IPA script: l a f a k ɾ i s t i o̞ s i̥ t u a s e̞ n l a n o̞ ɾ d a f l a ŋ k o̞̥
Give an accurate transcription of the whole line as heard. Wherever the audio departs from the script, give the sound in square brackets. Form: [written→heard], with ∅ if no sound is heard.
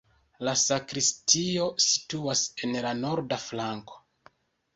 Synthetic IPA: l a [f→s] a k ɾ i s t i o̞ s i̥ t u a s e̞ n l a n o̞ ɾ d a f l a ŋ k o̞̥